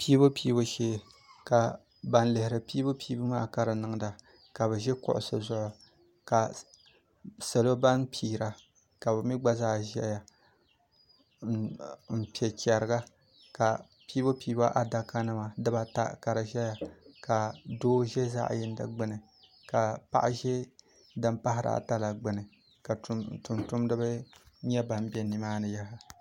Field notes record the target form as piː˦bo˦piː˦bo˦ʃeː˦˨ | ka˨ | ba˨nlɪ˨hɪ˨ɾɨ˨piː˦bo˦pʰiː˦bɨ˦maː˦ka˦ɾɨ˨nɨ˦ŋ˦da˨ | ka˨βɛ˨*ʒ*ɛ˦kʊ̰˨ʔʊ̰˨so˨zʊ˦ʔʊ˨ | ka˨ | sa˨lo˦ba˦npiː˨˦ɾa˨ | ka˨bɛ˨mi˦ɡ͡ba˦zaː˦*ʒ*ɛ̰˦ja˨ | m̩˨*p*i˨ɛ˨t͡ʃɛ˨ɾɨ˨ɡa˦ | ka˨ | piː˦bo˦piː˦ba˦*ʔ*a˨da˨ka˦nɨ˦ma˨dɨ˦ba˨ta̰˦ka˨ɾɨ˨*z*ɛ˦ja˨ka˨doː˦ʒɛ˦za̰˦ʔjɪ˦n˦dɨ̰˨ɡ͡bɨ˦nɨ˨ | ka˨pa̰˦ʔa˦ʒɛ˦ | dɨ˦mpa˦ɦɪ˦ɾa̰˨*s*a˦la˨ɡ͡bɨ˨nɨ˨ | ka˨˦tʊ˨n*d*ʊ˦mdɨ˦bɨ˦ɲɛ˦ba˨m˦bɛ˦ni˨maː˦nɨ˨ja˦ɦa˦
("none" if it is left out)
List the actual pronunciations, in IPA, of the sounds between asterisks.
ʒ, ʒ, p, ʔ, ʒ, t, t

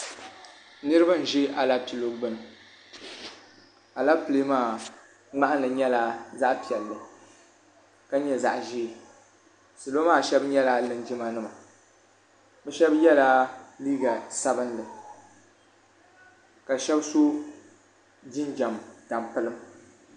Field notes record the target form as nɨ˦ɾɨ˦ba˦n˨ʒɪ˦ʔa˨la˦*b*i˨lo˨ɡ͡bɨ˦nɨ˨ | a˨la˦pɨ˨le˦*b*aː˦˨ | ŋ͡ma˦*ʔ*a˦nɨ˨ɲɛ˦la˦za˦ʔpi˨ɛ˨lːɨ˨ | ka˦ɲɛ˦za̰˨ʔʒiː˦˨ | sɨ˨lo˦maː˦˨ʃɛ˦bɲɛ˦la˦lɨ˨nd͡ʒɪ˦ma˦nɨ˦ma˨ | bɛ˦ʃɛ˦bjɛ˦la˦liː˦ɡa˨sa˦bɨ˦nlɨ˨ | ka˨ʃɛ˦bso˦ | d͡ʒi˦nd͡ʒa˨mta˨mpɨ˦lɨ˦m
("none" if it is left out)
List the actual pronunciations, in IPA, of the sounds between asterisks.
p, m, ʔ

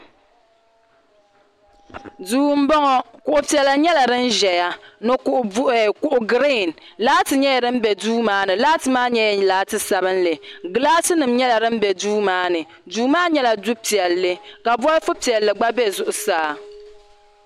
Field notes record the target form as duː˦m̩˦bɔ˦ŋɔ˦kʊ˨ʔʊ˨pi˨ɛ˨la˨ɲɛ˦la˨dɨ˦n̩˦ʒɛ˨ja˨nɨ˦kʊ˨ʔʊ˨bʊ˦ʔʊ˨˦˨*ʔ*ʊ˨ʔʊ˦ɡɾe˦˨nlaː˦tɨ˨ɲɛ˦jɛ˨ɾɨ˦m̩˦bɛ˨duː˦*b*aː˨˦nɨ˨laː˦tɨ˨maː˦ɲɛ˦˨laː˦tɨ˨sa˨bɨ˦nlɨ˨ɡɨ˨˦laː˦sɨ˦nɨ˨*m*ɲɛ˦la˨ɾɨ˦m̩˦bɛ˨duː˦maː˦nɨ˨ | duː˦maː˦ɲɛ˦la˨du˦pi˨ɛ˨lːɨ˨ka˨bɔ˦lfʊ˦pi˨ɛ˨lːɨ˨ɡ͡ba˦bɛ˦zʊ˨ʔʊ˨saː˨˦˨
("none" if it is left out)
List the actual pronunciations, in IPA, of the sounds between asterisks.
k, m, m

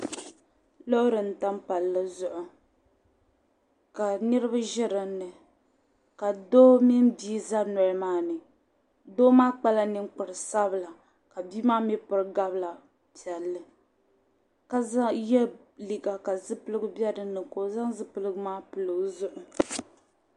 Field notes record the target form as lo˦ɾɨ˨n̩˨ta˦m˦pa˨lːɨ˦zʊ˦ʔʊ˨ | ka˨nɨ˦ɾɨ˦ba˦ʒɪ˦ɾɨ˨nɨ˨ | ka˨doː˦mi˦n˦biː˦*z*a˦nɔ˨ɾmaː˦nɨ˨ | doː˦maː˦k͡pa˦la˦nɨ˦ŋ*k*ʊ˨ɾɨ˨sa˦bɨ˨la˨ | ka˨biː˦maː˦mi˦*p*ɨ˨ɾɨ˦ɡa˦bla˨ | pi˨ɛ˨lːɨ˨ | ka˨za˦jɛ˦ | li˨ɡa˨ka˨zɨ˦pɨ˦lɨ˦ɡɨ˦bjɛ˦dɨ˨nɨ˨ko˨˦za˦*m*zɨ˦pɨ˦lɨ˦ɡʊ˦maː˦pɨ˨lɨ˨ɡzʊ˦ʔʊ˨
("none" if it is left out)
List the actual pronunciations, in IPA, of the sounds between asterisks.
z, k͡p, p, ŋ

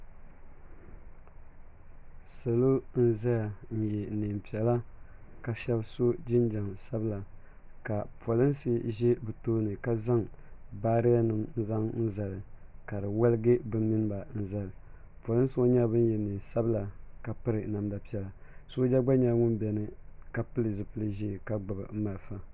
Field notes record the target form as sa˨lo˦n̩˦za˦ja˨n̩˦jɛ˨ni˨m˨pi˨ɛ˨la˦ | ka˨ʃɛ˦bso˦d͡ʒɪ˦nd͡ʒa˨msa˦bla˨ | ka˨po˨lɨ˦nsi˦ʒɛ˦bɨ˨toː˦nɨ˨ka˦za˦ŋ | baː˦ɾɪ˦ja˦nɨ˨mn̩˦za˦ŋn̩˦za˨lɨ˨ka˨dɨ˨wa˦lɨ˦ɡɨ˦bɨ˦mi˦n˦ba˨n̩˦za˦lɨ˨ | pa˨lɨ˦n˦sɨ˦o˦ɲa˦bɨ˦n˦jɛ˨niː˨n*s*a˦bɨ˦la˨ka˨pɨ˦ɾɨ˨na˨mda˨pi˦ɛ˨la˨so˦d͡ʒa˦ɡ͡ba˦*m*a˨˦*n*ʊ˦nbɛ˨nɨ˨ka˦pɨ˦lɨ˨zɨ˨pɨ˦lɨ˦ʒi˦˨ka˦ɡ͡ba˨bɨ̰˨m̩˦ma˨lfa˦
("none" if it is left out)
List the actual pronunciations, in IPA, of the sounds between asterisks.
s, ɲ, ŋ

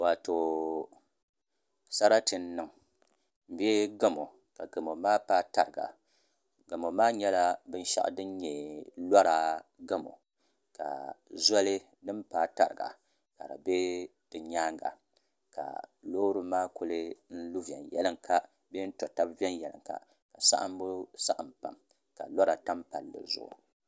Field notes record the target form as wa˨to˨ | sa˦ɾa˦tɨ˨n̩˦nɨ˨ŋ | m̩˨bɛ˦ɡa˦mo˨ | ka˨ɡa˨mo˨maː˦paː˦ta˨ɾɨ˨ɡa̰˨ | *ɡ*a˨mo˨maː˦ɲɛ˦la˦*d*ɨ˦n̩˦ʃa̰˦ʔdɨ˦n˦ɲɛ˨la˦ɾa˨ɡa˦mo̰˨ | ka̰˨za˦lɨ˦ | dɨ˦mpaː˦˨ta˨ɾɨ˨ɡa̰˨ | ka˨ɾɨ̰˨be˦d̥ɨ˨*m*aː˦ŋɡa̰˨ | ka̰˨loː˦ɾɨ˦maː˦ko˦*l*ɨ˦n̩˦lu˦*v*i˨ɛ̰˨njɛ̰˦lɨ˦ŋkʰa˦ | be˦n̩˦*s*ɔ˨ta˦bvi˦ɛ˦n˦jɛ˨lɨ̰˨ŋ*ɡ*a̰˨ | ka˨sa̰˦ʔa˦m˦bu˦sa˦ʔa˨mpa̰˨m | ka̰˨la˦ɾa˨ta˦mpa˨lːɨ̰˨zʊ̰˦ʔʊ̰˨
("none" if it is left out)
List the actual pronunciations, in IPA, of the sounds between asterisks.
ɡ, b, ɲ, l, v, t, k

